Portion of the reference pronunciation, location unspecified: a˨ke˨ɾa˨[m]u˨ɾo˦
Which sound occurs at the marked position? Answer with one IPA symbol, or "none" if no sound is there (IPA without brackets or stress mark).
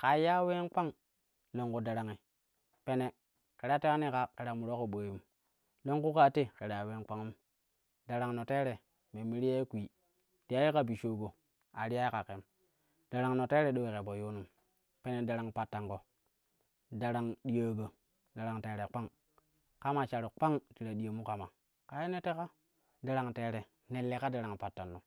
m